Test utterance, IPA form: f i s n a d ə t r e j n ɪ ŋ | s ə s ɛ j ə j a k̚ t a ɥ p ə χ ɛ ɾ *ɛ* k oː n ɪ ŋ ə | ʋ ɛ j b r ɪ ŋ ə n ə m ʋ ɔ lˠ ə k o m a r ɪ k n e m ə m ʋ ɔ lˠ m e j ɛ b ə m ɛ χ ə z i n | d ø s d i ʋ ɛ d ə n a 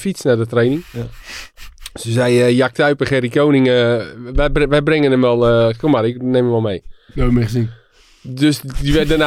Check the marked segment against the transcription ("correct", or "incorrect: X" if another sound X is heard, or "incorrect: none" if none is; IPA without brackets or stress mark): incorrect: i